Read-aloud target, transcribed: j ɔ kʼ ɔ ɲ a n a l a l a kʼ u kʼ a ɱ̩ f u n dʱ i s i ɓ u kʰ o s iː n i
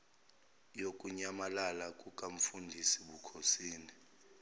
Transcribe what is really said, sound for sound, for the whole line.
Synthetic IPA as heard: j o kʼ u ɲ a m a l a l a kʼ u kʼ a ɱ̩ f u n dʱ i s i ɓ u kʰ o s iː n i